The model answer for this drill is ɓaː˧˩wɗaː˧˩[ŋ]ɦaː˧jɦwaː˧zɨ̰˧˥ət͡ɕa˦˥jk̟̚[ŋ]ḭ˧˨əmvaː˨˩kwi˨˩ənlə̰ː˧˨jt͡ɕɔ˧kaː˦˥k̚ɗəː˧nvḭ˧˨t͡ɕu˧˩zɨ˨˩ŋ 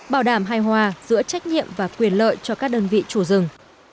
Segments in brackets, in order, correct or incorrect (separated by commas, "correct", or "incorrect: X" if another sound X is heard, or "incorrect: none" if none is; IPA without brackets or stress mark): incorrect: m, incorrect: ɲ